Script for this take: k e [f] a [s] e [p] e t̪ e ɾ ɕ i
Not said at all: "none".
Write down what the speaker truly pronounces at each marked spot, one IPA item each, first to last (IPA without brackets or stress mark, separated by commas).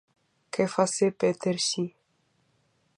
f, s, p